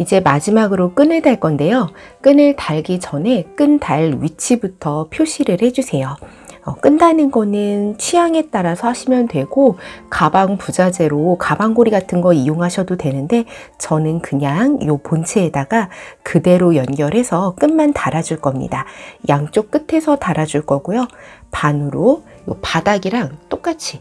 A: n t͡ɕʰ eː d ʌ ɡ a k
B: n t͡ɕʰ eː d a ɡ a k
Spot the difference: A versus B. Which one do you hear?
B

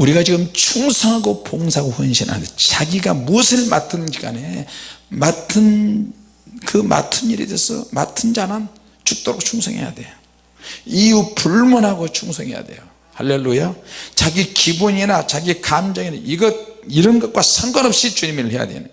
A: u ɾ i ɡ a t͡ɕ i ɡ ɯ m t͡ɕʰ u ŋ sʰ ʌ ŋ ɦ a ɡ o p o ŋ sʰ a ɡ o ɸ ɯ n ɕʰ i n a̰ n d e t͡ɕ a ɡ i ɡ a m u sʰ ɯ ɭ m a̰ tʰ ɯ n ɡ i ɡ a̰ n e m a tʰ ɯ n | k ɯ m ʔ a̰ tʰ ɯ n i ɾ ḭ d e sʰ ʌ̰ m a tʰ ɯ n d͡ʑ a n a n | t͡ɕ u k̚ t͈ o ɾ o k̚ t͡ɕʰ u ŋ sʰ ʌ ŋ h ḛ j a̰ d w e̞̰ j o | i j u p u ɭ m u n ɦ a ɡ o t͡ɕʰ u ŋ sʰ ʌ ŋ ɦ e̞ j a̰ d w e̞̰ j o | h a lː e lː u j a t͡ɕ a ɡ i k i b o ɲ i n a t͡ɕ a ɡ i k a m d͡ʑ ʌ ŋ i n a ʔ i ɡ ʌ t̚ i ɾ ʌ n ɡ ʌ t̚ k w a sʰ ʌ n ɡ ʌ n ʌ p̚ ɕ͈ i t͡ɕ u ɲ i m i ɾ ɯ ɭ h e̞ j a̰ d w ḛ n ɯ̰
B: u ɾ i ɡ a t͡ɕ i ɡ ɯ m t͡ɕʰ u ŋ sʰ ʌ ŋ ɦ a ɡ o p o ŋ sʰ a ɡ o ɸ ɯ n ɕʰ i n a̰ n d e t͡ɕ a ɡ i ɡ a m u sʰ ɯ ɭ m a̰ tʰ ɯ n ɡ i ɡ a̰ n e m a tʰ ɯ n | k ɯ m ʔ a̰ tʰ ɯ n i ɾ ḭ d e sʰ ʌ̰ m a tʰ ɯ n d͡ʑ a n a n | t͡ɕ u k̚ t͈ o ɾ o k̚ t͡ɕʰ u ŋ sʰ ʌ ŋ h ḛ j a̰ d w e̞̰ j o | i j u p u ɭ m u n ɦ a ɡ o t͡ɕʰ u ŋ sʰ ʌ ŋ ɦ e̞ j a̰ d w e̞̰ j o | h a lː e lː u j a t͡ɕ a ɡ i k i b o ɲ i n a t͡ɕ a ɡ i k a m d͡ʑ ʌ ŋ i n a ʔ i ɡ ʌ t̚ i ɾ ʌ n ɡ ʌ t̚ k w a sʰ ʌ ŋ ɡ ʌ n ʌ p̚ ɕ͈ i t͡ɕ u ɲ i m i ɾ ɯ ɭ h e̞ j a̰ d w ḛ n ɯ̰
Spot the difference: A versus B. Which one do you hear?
B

